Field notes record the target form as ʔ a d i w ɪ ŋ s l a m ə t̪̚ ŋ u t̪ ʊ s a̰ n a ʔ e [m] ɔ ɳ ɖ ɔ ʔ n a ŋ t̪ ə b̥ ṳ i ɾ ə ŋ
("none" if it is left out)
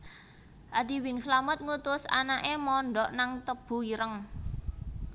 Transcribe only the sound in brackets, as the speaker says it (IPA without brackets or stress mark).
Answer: m